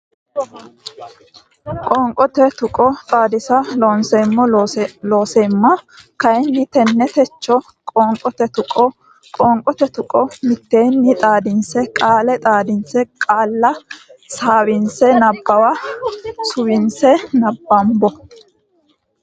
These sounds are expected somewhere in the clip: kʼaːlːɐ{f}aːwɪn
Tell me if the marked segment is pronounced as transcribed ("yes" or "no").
no